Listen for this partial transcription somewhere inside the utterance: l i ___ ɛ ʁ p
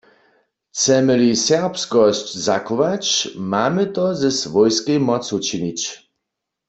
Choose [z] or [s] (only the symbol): s